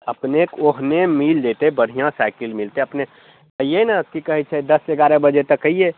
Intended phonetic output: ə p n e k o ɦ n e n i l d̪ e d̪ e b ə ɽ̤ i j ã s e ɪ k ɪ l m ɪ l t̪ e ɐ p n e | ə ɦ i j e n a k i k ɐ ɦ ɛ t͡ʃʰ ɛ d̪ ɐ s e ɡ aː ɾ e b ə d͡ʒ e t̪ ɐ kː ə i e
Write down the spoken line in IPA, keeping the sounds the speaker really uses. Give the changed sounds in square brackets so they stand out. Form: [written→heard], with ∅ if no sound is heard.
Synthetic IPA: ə p n e k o ɦ n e [n→m] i l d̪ e [d̪→t̪] e b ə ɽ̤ i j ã s [e→a] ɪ k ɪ l m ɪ l t̪ e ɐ p n e | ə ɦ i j e n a k i k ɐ ɦ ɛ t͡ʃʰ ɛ d̪ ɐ s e ɡ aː ɾ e b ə d͡ʒ e t̪ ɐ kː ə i e